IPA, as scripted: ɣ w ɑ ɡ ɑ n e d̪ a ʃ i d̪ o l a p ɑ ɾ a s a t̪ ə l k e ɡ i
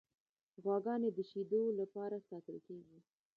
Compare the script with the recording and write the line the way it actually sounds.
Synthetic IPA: ɣ w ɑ ɡ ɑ n e d̪ ə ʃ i d̪ o l a p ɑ ɾ a s ɑ t̪ ə l k e ɡ i